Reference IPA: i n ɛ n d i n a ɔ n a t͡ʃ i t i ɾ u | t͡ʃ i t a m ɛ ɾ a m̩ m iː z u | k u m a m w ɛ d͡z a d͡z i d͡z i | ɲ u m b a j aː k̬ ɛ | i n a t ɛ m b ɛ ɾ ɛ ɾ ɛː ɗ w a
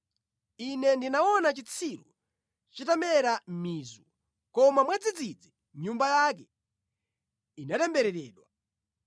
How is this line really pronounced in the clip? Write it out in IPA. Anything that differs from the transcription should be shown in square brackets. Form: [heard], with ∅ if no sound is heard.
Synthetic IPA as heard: i n ɛ n d i n a ɔ n a t͡ʃ i [t͡sʰ] i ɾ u | t͡ʃ i t a m ɛ ɾ a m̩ m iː z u | k [ɔ] m a m w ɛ d͡z [i] d͡z i d͡z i | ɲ u m b a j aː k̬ ɛ | i n a t ɛ m b ɛ ɾ ɛ ɾ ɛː ɗ w a